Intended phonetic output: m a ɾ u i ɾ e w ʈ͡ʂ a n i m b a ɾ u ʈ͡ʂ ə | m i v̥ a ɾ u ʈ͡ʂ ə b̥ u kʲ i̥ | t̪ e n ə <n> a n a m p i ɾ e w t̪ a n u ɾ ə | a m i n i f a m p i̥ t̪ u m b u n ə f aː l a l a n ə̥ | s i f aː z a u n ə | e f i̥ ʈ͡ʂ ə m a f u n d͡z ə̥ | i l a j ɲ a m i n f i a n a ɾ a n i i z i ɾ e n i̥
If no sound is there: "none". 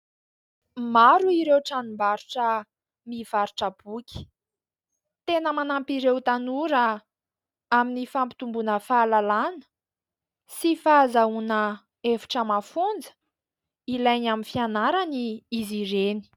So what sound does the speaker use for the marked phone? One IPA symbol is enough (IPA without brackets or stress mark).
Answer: m